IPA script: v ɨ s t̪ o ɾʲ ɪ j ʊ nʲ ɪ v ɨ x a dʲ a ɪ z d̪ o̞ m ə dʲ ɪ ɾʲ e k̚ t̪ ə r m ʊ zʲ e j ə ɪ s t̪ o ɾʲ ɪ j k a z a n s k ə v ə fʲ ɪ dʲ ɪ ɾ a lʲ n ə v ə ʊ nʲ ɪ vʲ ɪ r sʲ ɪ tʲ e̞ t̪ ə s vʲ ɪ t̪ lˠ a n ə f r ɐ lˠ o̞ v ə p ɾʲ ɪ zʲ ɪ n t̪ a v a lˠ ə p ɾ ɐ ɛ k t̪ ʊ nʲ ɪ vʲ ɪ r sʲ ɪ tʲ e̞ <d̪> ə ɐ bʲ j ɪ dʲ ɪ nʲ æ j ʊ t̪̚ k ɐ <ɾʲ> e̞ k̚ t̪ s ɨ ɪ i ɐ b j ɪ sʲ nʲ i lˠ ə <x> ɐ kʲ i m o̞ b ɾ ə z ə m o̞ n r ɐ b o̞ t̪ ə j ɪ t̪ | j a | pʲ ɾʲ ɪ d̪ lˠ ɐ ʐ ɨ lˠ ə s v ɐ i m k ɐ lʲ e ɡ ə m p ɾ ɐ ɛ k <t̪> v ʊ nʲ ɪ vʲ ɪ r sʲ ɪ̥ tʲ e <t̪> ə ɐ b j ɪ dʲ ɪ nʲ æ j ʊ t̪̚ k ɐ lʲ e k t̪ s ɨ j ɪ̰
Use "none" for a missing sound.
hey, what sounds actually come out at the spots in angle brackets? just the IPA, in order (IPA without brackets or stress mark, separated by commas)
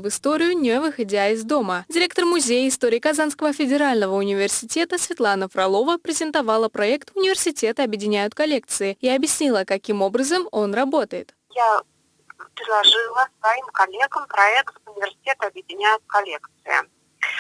t̪, lʲ, k, t̪, t̪